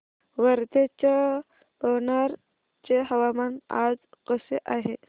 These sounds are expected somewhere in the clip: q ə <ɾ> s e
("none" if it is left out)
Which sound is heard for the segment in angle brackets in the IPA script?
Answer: none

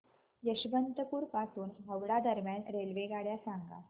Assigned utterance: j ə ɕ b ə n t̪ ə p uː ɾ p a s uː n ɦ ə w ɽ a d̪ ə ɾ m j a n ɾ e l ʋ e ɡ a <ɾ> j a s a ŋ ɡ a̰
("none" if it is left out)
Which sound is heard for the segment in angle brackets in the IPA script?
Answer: ɽ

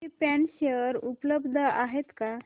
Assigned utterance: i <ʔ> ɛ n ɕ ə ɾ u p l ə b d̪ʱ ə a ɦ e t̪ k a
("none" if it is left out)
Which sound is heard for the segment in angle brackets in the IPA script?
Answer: p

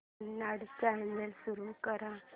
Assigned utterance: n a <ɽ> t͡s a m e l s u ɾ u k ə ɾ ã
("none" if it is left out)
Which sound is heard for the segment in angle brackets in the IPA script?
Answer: ɽ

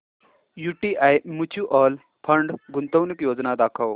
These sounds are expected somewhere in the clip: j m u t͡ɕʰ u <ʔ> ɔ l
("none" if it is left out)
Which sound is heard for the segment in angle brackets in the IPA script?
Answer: ʔ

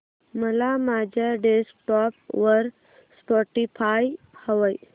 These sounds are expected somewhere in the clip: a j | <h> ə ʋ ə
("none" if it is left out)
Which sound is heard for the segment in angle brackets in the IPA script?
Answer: h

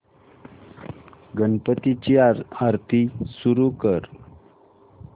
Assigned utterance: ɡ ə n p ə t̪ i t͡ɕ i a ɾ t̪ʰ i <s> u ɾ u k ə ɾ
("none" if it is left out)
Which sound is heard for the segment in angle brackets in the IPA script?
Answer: s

